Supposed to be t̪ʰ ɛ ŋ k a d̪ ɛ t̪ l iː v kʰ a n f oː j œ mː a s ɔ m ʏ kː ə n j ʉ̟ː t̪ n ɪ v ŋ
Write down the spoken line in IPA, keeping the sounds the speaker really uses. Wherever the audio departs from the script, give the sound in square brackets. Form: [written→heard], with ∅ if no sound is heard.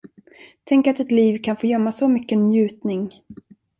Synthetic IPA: t̪ʰ ɛ ŋ k a [d̪→t̪] ɛ t̪ l iː v kʰ a n f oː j œ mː a s ɔ m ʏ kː ə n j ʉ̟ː t̪ n ɪ [v→∅] ŋ